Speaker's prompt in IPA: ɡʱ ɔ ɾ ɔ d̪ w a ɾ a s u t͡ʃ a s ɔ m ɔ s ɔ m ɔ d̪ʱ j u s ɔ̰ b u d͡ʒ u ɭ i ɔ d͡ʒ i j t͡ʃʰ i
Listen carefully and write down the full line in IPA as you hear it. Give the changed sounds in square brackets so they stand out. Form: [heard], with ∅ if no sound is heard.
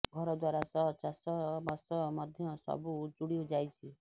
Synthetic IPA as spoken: ɡʱ ɔ ɾ ɔ d̪ w a ɾ a s [ɔ] t͡ʃ a s ɔ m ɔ s ɔ m ɔ d̪ʱ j [ɔ] s ɔ̰ b u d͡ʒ u [ɽ] i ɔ d͡ʒ [a] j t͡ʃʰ i